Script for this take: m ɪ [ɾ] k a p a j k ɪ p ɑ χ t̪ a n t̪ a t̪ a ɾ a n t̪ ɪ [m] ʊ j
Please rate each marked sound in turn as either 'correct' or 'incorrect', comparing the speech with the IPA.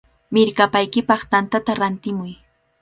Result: correct, correct

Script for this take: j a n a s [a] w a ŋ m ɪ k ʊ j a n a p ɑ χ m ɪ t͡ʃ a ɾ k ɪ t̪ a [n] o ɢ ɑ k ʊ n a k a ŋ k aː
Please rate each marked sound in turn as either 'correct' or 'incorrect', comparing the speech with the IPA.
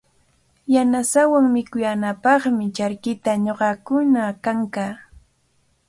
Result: correct, incorrect

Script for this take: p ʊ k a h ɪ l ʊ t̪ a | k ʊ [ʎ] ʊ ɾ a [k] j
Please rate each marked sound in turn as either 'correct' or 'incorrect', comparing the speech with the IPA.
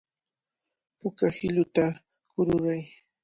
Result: incorrect, incorrect

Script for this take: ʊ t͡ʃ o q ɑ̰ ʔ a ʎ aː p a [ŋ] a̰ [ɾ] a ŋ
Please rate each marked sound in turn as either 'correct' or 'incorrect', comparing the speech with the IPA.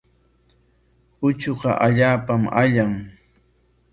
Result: incorrect, incorrect

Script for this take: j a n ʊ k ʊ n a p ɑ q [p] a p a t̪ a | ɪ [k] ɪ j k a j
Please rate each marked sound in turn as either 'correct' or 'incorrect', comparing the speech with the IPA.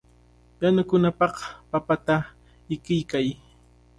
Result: correct, correct

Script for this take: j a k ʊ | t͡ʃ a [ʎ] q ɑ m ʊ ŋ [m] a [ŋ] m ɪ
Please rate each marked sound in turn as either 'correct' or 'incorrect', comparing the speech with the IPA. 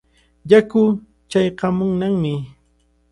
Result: incorrect, incorrect, correct

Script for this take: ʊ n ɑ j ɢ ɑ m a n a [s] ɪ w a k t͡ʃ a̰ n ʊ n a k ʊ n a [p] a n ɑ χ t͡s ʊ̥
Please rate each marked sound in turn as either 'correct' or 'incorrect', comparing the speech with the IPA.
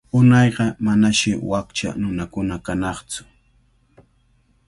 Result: incorrect, incorrect

